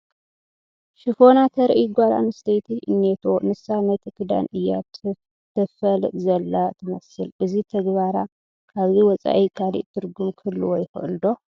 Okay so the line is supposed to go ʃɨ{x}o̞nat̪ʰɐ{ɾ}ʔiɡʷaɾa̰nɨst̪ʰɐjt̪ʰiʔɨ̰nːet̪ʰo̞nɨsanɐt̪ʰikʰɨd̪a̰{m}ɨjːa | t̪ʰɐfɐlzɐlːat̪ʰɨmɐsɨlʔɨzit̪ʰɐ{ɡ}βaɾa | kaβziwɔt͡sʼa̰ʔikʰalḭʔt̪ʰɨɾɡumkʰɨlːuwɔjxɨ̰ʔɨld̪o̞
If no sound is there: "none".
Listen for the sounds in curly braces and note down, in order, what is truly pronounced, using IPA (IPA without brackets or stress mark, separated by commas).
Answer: f, ɾ, n, ɡ